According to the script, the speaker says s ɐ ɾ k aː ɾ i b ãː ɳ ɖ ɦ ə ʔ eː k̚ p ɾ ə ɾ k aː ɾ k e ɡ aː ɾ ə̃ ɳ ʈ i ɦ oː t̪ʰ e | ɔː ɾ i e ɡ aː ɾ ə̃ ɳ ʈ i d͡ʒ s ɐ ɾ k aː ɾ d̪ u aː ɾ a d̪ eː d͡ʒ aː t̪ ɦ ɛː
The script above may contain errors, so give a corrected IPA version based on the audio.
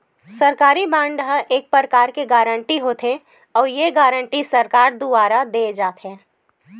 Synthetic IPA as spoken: s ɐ ɾ k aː ɾ i b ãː ɳ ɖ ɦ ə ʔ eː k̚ p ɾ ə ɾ k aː ɾ k e ɡ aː ɾ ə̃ ɳ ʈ i ɦ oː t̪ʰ e | ɔː ɾ j e ɡ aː ɾ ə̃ ɳ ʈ i s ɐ ɾ k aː ɾ d̪ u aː ɾ a d̪ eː d͡ʒ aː t̪ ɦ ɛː